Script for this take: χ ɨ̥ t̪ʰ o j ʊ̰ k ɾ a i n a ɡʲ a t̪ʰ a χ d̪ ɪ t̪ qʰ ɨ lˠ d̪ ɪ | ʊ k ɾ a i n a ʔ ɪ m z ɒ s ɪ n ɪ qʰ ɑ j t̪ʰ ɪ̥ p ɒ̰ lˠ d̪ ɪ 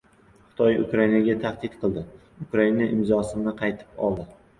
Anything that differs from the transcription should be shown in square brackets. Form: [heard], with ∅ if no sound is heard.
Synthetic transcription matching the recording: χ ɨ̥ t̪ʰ [ɒ] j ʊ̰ k ɾ a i n a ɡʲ a t̪ʰ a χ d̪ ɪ t̪ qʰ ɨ lˠ d̪ ɪ | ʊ k ɾ a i n a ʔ ɪ m z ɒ s ɪ n ɪ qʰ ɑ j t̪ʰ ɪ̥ p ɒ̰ lˠ d̪ ɪ